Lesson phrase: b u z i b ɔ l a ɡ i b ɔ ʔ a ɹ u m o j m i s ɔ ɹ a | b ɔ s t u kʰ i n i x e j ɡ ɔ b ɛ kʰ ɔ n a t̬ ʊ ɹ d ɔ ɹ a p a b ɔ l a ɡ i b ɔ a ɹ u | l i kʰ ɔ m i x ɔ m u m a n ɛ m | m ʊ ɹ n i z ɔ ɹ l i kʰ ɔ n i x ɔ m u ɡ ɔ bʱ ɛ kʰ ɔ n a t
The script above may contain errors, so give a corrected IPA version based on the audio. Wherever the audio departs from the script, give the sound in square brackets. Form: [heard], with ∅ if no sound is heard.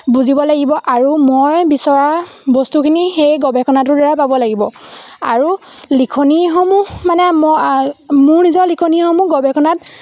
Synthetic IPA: b u z i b ɔ l a ɡ i b ɔ ʔ a ɹ u m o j [b] i s ɔ ɹ a | b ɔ s t u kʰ i n i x e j ɡ ɔ b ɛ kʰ ɔ n a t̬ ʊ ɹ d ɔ ɹ a p a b ɔ l a ɡ i b ɔ a ɹ u | l i kʰ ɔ [n] i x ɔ m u m a n ɛ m | m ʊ ɹ n i z ɔ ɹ l i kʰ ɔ n i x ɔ m u ɡ ɔ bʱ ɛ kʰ ɔ n a t